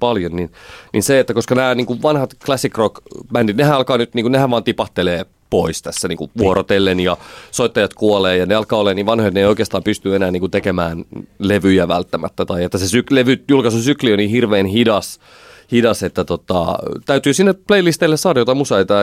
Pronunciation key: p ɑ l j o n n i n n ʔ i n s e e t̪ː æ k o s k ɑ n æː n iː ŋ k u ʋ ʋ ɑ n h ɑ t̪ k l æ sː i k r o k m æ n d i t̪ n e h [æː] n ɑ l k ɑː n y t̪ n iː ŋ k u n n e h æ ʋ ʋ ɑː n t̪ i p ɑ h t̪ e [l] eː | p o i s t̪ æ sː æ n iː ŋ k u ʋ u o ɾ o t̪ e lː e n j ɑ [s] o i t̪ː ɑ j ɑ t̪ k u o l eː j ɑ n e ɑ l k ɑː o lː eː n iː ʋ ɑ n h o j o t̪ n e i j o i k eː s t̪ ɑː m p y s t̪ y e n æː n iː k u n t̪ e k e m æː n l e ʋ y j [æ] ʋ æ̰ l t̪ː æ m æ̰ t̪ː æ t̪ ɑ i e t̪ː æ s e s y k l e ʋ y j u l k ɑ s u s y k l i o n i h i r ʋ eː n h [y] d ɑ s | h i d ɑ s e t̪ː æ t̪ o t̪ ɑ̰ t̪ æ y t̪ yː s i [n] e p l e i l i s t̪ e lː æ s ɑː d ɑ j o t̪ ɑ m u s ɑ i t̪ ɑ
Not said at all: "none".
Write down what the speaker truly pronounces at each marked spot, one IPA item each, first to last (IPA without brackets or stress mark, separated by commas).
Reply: æ, l, s, æ, i, nː